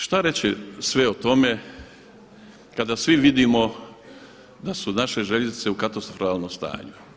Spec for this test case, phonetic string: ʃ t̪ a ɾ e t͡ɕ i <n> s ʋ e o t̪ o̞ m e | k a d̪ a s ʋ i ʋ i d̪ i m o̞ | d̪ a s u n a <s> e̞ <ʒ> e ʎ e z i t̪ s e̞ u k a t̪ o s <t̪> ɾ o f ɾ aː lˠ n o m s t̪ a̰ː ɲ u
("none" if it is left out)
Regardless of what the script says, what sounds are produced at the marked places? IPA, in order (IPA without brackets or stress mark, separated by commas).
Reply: none, ʃ, ʒ, t̪